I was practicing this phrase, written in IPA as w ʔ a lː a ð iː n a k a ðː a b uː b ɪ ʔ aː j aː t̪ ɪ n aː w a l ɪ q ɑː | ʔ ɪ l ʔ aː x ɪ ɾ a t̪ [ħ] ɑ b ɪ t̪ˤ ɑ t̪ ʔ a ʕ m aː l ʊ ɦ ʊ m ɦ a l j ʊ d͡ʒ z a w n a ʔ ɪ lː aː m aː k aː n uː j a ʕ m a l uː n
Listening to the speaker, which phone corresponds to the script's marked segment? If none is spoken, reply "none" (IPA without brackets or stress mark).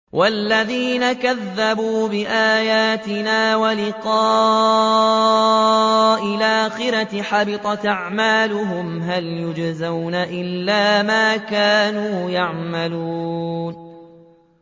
ħ